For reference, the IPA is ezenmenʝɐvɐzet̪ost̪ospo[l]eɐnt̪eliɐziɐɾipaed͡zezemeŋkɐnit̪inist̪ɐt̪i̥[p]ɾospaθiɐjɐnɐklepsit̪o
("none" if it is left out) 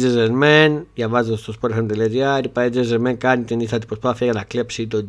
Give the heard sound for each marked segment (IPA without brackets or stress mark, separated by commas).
ɾ, p